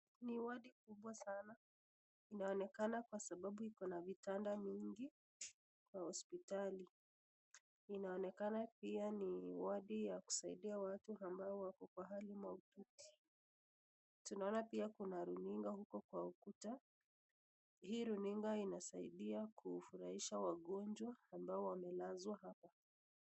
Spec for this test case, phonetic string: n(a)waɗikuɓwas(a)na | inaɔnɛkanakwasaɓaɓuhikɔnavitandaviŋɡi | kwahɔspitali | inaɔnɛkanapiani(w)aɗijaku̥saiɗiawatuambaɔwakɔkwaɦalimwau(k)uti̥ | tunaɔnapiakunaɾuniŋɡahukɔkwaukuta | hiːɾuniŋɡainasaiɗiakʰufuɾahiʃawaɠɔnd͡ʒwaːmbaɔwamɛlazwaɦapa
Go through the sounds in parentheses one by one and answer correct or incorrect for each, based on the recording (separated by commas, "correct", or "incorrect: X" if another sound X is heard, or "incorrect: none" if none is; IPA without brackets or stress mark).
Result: incorrect: i, correct, correct, incorrect: t